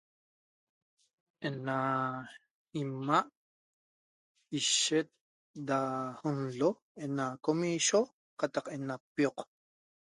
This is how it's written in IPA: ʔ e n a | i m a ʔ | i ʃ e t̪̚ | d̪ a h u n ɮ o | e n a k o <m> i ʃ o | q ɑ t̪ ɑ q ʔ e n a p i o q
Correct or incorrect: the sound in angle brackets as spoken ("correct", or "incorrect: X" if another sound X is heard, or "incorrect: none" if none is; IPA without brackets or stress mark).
correct